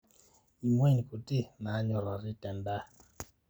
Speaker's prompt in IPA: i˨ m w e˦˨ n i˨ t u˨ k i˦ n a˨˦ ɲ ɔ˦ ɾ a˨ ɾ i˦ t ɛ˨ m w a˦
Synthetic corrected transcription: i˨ m w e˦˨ n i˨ k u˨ t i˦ m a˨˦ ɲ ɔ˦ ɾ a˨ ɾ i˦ t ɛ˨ m b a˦